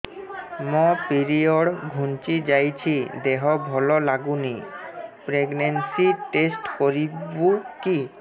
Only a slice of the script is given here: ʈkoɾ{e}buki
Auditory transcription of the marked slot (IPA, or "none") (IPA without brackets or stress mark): i